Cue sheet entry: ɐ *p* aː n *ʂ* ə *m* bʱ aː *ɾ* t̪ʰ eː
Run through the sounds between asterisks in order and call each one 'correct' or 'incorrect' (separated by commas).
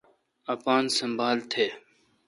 correct, incorrect, correct, incorrect